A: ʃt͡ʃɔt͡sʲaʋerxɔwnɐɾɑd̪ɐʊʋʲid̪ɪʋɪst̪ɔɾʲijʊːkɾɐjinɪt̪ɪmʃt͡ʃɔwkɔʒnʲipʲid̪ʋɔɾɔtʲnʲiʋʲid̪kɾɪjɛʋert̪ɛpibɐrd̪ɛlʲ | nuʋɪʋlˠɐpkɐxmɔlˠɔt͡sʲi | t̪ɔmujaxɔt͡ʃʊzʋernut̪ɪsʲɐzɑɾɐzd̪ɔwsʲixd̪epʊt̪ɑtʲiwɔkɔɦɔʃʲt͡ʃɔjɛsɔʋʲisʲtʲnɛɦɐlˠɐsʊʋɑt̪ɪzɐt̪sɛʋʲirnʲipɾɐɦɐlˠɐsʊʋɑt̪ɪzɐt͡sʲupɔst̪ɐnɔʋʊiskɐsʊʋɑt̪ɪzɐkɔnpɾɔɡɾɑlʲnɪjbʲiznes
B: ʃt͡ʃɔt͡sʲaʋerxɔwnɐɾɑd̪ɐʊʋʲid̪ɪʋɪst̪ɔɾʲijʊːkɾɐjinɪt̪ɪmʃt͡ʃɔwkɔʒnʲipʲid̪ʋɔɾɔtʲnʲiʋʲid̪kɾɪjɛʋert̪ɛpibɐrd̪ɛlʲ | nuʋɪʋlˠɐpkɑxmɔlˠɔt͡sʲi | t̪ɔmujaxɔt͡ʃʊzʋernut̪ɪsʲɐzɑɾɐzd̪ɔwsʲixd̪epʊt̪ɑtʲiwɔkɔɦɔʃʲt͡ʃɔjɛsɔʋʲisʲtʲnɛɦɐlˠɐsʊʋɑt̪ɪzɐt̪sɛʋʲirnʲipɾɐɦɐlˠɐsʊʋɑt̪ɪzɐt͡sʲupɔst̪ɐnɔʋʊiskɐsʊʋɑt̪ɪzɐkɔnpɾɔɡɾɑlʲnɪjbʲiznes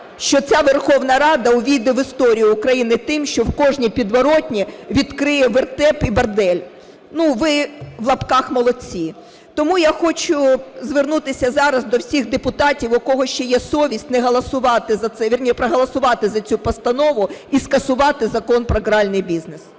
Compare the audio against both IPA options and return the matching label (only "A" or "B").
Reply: B